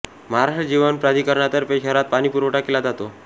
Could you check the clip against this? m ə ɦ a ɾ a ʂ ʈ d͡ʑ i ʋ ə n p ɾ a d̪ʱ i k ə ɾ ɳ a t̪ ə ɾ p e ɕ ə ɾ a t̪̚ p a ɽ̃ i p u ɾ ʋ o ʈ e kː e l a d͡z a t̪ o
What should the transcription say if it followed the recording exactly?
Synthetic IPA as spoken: m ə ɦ a ɾ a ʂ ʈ d͡ʑ i ʋ ə n p ɾ a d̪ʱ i k ə ɾ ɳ a t̪ ə ɾ p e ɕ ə ɾ a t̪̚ p a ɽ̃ i p u ɾ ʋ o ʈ a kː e l a d͡z a t̪ o